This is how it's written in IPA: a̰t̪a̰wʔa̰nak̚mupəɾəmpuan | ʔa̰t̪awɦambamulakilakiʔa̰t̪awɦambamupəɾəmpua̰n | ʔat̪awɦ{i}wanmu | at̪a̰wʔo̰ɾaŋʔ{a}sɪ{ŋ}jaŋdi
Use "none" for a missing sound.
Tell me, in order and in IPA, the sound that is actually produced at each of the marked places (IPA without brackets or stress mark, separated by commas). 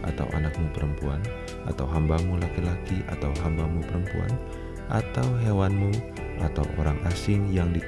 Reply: e, a, ŋ